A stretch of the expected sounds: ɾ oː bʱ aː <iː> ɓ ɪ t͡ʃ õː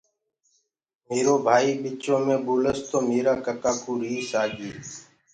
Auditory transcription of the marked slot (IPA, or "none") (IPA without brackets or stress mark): iː